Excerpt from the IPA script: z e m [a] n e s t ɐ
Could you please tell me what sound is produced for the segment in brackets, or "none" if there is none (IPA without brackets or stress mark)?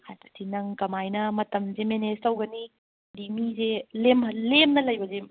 e